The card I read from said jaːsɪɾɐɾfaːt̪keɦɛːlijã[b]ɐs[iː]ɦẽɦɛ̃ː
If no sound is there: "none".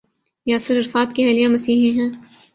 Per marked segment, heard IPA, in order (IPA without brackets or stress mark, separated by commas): m, iː